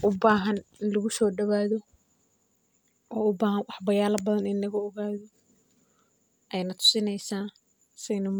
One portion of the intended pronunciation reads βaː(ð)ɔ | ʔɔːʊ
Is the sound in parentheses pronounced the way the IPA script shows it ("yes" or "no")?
yes